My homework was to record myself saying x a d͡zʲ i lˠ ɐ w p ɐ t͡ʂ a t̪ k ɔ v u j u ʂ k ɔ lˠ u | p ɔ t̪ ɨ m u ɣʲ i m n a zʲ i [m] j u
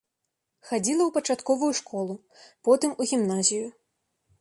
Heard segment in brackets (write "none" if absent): none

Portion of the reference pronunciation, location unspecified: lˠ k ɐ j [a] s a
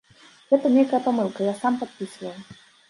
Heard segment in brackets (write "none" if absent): a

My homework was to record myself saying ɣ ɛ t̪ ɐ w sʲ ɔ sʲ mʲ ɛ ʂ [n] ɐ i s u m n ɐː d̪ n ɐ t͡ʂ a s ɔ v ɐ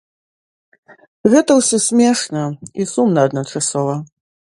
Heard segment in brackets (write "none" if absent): n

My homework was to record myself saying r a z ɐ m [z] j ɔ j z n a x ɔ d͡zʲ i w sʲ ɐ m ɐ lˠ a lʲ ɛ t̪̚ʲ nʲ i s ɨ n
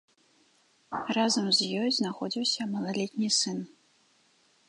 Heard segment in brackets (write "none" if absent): z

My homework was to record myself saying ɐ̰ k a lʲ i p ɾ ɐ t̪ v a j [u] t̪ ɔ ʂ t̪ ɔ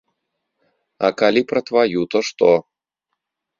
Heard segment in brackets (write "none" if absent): u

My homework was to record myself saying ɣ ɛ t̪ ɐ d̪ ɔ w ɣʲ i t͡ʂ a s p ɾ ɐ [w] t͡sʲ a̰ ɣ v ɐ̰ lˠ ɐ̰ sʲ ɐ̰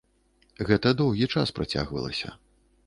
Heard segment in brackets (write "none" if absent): none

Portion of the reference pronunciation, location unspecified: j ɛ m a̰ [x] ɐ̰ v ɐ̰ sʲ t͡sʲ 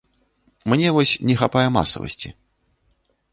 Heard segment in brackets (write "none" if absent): s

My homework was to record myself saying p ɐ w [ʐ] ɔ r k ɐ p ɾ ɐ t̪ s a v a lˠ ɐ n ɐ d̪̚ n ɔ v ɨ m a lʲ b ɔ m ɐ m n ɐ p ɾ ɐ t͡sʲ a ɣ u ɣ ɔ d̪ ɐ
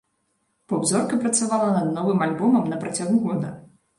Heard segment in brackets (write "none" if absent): z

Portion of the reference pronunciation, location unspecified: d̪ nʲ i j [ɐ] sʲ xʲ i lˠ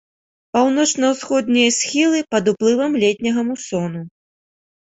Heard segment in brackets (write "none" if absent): ɐ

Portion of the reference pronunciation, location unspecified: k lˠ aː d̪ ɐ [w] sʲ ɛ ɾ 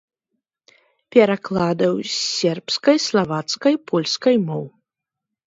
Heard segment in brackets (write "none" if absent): w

